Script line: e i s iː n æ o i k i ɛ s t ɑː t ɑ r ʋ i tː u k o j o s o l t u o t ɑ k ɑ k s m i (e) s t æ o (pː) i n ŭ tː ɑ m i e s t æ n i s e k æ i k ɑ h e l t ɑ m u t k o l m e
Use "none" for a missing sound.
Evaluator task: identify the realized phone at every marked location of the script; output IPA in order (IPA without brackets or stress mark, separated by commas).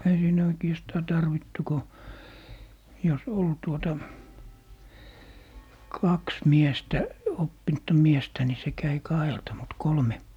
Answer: e, pː